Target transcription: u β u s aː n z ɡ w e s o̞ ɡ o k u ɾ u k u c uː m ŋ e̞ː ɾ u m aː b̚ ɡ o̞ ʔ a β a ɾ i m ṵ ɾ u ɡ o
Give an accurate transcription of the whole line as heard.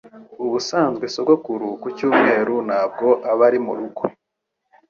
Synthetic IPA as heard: u β u s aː n z ɡ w e s o̞ ɡ o k u ɾ u k u c uː m ŋ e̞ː ɾ u n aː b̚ ɡ o̞ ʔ a β a ɾ i m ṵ ɾ u ɡ o